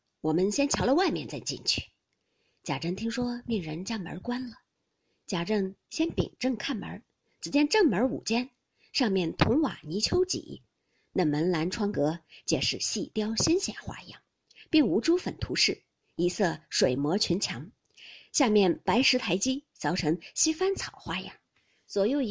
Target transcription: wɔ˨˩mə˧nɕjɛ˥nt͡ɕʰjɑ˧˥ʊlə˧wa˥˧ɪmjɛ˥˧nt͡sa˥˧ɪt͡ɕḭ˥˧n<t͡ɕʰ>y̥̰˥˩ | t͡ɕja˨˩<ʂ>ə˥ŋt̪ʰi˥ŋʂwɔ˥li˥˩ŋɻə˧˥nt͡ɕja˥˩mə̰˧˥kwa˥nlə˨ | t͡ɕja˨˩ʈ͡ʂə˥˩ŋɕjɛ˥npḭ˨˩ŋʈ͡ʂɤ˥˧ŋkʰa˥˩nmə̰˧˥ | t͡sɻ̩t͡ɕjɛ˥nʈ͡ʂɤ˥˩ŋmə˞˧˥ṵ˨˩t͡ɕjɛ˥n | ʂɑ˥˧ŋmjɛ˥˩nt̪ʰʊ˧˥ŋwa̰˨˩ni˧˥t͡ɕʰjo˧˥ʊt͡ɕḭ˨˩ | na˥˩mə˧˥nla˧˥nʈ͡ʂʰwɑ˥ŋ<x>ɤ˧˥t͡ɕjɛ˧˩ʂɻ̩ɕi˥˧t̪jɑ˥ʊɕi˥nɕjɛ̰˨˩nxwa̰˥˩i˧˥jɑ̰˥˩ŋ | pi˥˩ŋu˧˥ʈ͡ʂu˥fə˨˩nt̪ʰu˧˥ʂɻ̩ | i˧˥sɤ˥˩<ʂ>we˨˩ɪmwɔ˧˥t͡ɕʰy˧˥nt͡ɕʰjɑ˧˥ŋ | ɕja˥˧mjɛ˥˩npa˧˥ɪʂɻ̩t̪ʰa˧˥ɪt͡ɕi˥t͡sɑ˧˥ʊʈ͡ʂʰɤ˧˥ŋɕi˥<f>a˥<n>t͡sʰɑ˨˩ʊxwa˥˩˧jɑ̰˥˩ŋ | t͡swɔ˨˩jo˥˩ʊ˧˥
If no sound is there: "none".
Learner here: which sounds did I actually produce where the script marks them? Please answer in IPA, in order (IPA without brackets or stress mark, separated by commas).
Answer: t͡ɕʰ, ʈ͡ʂ, k, ʂ, f, n